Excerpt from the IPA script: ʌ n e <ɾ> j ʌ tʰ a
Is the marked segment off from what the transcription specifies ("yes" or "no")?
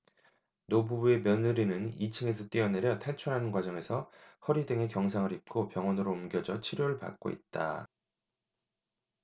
no